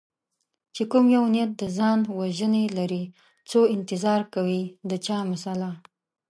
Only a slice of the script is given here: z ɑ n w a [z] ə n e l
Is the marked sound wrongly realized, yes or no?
yes